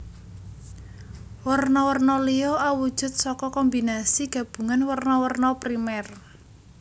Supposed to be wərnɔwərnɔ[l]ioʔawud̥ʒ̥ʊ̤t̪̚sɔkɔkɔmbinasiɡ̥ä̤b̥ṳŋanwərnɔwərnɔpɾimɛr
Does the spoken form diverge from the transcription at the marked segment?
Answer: no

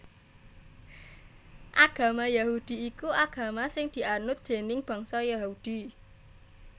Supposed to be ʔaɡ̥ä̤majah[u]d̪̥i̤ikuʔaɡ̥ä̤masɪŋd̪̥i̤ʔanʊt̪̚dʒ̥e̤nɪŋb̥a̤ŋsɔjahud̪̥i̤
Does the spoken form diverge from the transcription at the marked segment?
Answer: no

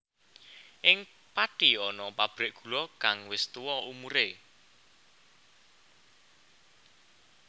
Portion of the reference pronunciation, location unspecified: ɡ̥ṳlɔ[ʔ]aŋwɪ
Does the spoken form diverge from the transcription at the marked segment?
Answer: yes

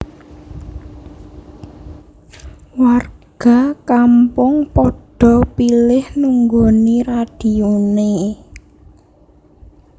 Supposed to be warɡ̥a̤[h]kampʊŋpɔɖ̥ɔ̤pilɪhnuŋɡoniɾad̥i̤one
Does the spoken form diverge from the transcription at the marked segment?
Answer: yes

